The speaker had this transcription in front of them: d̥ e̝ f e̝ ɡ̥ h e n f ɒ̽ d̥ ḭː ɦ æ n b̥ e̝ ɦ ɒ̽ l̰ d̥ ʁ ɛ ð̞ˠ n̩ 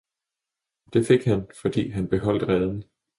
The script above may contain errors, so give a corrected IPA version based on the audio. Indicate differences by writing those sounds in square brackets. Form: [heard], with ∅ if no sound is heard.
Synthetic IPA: d̥ e̝ f e̝ ɡ̥ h [æ] n f ɒ̽ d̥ ḭː ɦ æ n b̥ e̝ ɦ ɒ̽ l̰ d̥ ʁ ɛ ð̞ˠ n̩